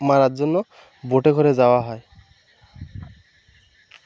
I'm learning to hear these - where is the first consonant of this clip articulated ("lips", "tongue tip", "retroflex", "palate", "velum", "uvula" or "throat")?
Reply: lips